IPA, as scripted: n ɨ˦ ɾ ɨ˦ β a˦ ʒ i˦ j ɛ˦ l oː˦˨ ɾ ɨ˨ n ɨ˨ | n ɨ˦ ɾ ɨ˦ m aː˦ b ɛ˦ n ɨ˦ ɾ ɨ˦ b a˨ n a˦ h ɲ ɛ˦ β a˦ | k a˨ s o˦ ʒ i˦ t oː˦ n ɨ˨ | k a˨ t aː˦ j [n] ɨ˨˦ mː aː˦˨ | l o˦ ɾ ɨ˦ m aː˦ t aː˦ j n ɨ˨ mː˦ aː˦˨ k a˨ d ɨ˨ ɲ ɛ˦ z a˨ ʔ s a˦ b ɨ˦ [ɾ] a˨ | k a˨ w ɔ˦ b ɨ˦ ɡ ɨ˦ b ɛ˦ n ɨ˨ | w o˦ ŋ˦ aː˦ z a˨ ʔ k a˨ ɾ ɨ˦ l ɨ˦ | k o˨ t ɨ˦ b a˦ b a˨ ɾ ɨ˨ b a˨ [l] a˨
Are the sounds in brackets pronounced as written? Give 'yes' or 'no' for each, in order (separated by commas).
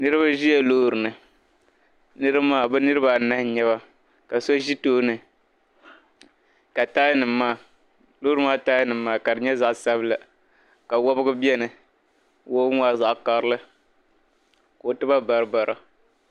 yes, no, no